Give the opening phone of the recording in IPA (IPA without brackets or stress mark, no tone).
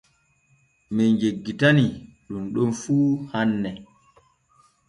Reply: m